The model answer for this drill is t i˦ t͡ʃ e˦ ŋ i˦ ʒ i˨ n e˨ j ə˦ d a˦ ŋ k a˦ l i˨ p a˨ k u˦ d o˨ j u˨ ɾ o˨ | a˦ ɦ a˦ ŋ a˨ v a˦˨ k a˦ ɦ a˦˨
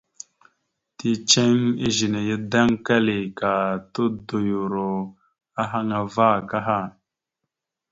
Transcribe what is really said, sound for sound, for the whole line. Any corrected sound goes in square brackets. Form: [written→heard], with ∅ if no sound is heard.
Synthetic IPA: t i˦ t͡ʃ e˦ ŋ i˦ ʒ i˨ n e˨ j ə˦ d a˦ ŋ k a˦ l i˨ [p→k] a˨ [k→t] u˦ d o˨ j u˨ ɾ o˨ | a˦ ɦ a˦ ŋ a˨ v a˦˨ k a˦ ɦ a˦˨